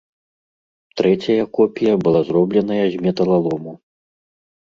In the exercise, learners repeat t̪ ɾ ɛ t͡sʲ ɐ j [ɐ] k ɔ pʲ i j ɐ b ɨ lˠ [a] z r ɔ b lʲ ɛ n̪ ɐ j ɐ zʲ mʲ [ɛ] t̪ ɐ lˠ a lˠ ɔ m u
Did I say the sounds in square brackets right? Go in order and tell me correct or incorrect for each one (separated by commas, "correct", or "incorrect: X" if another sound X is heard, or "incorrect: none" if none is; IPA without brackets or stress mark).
correct, correct, correct